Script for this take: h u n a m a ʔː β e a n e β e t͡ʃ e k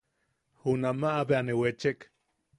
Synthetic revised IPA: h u n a m a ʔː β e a n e w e t͡ʃ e k